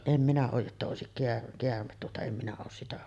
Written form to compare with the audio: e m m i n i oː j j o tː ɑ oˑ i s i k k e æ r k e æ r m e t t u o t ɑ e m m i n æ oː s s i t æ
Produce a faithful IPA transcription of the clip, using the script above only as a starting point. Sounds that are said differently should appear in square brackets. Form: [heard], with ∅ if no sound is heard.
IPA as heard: e m m i n [æ] oː j j o tː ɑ oˑ [e] s i k k e æ r k e æ r m e t t u o t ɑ e m m i n æ oː s s i t æ